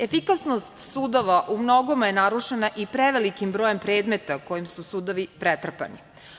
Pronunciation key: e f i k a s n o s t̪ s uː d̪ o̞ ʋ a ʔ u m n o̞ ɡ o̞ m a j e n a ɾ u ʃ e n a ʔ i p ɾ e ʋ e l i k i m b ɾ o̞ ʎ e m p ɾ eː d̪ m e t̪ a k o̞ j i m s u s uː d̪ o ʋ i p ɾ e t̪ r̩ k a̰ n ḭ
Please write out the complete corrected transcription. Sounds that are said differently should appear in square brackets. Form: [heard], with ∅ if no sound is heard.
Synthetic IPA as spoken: e f i k a s n o s t̪ s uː d̪ o̞ ʋ a ʔ u m n o̞ ɡ o̞ m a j e n a ɾ u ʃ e n a ʔ i p ɾ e ʋ e l i k i m b ɾ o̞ [j] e m p ɾ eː d̪ m e t̪ a k o̞ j i m s u s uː d̪ o ʋ i p ɾ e t̪ r̩ [p] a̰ n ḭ

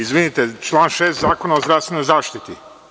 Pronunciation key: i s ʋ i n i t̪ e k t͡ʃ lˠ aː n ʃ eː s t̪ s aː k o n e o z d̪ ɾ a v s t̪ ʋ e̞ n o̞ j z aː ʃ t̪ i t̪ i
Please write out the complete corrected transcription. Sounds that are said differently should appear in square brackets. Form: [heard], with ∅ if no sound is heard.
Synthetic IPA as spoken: i [z] ʋ i n i t̪ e [∅] t͡ʃ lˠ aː n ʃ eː s t̪ [z] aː k o n [a] o z d̪ ɾ a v s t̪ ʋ e̞ n o̞ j z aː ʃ t̪ i t̪ i

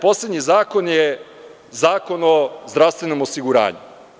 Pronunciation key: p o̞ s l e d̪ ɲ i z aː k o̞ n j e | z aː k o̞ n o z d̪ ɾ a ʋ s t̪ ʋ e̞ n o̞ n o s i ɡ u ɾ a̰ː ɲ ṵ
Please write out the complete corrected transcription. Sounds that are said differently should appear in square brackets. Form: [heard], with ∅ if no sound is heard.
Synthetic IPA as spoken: p o̞ s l e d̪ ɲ i z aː k o̞ n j e | z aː k o̞ n o z d̪ ɾ a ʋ s t̪ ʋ e̞ n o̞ [m] o s i ɡ u ɾ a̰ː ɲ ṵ

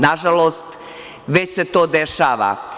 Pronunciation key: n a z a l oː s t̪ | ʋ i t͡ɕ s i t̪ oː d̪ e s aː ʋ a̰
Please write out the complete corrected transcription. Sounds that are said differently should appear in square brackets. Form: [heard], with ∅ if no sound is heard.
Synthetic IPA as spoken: n a [ʒ] a l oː s t̪ | ʋ [e] t͡ɕ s [e] t̪ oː d̪ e [ʃ] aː ʋ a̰

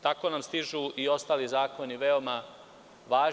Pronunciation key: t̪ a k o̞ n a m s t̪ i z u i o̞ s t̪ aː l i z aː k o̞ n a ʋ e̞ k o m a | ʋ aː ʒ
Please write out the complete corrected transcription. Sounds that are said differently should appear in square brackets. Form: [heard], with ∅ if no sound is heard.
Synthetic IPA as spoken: t̪ a k o̞ n a m s t̪ i [ʒ] u i o̞ s t̪ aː l i z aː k o̞ n [i] ʋ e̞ [∅] o m a | ʋ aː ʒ

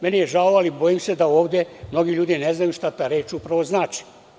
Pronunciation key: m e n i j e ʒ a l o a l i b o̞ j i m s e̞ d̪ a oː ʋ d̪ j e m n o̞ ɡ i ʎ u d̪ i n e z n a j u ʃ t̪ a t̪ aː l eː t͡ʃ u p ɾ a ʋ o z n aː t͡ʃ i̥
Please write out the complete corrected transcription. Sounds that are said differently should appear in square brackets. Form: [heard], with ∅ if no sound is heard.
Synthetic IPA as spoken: m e n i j e ʒ a l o a l i b o̞ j i m s e̞ d̪ a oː ʋ d̪ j e m n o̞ ɡ i ʎ [uː] d̪ i n e z n a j u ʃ t̪ a t̪ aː [ɾ] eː t͡ʃ u p ɾ a ʋ o z n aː t͡ʃ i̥

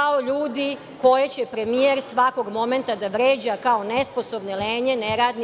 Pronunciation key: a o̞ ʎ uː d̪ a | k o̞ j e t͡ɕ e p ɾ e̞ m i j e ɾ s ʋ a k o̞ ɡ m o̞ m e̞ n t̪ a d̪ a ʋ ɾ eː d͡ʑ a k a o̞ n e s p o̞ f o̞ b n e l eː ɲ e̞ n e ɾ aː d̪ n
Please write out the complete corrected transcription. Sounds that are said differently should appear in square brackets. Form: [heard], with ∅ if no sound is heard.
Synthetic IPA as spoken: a o̞ ʎ uː d̪ [i] | k o̞ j e t͡ɕ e p ɾ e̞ m i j e ɾ s ʋ a k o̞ ɡ m o̞ m e̞ n t̪ a d̪ a ʋ ɾ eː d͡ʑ a k a o̞ n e s p o̞ [s] o̞ b n e l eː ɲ e̞ n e ɾ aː d̪ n

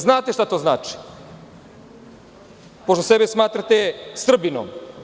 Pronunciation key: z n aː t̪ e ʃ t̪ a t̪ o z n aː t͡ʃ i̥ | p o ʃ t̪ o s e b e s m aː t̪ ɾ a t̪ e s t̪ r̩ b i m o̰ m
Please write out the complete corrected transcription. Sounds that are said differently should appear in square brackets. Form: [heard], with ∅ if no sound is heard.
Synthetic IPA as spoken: z n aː t̪ e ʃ t̪ a t̪ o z n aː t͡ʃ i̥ | p o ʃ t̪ o s e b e s m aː t̪ ɾ a t̪ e s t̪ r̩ b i [n] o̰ m

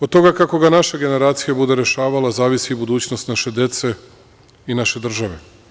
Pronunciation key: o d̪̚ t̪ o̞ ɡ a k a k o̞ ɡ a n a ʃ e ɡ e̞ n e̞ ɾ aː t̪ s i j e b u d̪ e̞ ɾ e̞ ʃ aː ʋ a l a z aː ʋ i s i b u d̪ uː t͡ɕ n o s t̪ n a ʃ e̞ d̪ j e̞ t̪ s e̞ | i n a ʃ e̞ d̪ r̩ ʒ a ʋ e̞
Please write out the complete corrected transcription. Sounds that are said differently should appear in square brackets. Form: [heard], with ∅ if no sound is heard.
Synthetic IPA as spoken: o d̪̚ t̪ o̞ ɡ a k a k o̞ ɡ a n a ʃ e ɡ e̞ n e̞ ɾ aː t̪ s i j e b u d̪ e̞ ɾ e̞ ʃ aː ʋ a l a z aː ʋ i s i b u d̪ uː t͡ɕ n o s t̪ n a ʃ e̞ d̪ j e̞ t̪ s e̞ | i n a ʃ e̞ d̪ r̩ ʒ a ʋ e̞

